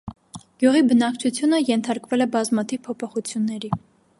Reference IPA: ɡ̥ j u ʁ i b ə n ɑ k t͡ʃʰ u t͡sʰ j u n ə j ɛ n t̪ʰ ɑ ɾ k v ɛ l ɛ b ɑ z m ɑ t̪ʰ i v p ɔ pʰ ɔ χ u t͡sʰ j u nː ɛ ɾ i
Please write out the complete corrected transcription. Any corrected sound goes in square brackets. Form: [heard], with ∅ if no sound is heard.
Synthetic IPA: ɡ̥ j u ʁ i b ə n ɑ k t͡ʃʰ u t͡sʰ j u n ə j ɛ n t̪ʰ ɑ ɾ k v ɛ l ɛ b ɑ z m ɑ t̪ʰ i v [pʰ] ɔ pʰ ɔ χ u t͡sʰ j u nː ɛ ɾ i